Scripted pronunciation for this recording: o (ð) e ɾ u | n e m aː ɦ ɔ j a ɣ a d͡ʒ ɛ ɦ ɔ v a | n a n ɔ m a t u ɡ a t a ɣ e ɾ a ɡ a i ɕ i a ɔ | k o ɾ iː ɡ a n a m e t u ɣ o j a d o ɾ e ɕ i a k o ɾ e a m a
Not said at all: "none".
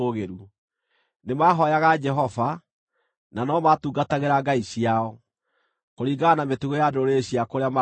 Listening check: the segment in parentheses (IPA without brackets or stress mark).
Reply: ɣ